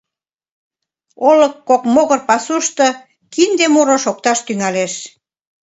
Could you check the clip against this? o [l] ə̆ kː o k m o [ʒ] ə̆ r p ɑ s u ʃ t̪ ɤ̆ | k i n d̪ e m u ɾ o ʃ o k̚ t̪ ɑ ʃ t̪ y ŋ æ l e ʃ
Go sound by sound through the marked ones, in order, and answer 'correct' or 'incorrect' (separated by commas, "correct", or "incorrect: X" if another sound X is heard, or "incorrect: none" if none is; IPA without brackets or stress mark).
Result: correct, incorrect: ɣ